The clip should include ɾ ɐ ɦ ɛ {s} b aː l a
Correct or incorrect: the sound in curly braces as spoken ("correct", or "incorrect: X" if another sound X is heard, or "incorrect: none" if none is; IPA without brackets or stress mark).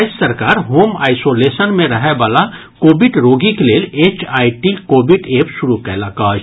incorrect: none